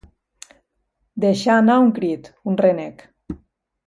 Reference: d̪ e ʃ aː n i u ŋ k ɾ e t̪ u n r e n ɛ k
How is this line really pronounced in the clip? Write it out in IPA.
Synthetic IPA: d̪ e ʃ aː n a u ŋ k ɾ i t̪ u n r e n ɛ k